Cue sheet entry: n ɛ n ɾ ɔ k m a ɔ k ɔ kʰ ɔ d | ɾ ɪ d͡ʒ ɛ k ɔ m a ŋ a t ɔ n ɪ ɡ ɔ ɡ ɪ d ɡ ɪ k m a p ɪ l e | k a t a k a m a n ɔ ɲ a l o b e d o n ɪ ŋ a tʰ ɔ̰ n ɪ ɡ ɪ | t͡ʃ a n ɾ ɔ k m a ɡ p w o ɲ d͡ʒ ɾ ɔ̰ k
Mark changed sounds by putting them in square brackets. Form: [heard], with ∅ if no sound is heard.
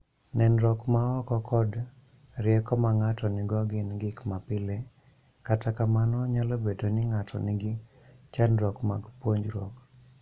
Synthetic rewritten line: n ɛ n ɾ ɔ k m a ɔ k ɔ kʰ ɔ d | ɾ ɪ [∅] ɛ k ɔ m a ŋ a t ɔ n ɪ ɡ ɔ ɡ ɪ [n] ɡ ɪ k m a p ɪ l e | k a t a k a m a n ɔ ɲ a l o b e d o n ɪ ŋ a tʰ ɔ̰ n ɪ ɡ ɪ | t͡ʃ a n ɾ ɔ k m a ɡ p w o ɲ d͡ʒ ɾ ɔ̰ k